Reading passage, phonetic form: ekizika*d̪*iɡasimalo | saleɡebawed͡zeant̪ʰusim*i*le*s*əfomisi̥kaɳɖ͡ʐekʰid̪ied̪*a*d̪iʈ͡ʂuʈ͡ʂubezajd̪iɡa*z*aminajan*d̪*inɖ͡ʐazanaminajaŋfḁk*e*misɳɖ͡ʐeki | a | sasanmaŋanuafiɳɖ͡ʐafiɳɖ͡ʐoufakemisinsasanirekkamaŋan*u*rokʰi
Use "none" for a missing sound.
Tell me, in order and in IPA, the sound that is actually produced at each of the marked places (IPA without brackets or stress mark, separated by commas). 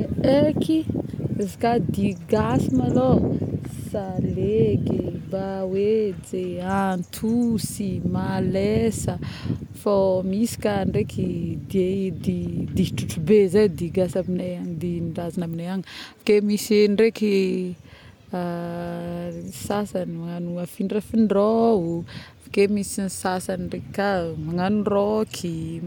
d̪, a, s, i, s, d̪, e, u